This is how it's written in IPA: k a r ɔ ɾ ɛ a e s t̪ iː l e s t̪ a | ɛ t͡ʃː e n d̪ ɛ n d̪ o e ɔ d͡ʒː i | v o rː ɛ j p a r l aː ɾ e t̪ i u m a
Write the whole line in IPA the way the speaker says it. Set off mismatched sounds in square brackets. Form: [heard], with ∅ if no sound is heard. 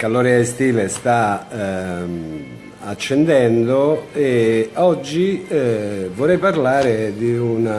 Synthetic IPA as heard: k a [l] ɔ ɾ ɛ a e s t̪ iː l e s t̪ a | [a] t͡ʃː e n d̪ ɛ n d̪ o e ɔ d͡ʒː i | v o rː ɛ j p a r l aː ɾ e [d̪] i u [n] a